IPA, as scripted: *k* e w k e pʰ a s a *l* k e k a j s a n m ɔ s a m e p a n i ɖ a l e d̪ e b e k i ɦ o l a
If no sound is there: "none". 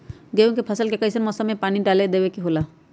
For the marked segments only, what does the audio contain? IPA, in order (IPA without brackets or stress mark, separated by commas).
ɡ, l